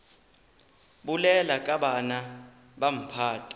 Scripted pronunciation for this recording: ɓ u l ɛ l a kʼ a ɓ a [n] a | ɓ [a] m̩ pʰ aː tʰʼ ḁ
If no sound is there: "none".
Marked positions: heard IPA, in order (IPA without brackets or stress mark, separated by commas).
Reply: n, a